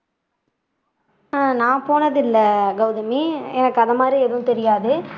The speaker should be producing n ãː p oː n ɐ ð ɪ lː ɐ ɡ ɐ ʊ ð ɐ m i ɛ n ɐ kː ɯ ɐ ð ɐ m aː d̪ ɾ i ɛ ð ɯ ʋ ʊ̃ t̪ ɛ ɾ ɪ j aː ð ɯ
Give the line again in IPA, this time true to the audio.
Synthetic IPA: n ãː p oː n ɐ ð ɪ lː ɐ ɡ ɐ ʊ ð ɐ m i ɛ n ɐ kː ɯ ɐ ð ɐ m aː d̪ ɾ i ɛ ð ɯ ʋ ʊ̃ t̪ ɛ ɾ ɪ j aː ð ɯ